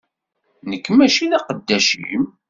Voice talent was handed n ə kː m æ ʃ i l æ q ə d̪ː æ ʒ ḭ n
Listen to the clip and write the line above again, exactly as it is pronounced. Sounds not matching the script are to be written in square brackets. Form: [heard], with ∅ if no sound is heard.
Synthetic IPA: n ə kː m æ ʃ i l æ q ə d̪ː æ [ʃ] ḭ [m]

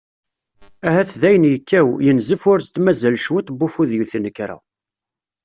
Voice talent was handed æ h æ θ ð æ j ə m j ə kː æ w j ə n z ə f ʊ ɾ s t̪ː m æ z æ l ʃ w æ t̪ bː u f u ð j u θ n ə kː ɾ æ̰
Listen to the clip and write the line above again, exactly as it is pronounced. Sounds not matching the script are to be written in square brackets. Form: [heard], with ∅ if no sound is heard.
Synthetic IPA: æ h æ θ ð æ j ə [n] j ə kː æ w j ə n z ə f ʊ ɾ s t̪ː m æ z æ l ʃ w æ t̪ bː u f u ð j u θ n ə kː ɾ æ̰

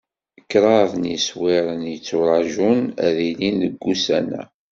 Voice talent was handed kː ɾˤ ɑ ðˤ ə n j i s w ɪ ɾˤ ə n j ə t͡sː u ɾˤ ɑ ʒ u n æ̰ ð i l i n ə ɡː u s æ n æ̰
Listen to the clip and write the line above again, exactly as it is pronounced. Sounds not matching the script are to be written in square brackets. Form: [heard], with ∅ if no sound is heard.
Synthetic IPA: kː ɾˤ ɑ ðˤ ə n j i s w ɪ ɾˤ ə n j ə t͡sː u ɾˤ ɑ ʒ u n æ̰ ð i l i n ə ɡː u s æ n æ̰

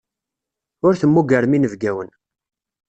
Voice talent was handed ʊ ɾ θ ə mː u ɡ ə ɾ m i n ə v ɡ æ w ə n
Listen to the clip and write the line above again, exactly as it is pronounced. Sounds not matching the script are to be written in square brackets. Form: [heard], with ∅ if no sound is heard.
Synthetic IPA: ʊ ɾ θ ə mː u ɡ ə ɾ m i n ə v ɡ æ w ə n

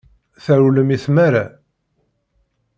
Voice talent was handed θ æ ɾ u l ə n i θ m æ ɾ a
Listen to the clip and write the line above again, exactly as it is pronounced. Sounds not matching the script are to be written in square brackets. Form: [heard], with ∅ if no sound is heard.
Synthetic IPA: θ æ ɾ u l ə [m] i θ m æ ɾ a

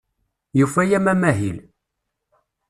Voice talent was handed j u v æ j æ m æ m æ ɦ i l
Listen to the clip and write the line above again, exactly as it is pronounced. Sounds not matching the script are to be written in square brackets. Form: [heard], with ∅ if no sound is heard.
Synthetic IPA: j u [f] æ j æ m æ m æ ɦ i l

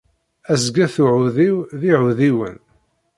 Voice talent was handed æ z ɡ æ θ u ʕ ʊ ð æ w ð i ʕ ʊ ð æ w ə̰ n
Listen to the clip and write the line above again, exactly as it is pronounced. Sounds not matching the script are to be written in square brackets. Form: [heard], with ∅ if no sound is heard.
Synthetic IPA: æ z ɡ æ θ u ʕ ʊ ð [i] w ð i ʕ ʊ ð [i] w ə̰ n

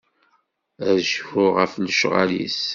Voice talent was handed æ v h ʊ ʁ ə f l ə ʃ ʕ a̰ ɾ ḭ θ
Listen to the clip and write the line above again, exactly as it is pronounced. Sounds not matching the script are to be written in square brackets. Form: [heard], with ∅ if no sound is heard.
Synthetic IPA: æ [ʒ] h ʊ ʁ ə f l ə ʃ [ʁ] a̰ [l] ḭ [s]

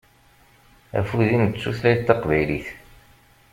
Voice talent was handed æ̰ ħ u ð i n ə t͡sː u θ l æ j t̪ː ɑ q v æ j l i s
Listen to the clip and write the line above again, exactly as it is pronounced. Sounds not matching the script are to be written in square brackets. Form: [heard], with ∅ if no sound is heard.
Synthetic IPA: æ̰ [f] u ð i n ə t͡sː u θ l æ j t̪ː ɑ q v æ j l i [θ]

